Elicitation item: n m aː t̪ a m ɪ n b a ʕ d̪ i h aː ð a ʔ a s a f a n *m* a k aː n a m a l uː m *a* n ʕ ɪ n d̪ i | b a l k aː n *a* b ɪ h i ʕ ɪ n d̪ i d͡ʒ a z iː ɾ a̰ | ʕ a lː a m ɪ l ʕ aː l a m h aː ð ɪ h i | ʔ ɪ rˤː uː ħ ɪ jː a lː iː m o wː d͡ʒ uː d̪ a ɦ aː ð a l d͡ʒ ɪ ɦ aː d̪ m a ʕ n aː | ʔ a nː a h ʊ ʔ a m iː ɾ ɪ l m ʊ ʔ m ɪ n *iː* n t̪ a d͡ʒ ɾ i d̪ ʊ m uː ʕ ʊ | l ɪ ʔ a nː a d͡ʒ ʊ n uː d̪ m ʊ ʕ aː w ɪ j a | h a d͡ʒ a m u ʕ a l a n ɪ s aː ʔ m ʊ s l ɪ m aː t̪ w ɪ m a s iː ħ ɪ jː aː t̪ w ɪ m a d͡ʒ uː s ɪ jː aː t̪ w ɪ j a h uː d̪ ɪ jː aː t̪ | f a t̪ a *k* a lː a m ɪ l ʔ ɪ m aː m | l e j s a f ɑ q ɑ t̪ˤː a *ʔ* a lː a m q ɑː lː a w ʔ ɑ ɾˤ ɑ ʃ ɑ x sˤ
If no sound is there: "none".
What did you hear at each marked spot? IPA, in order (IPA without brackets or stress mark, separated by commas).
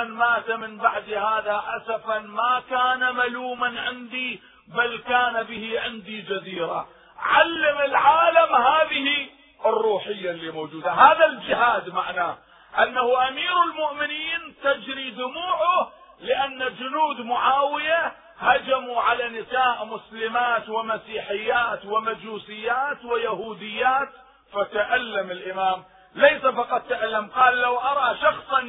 m, a, a, iː, ʔ, ʔ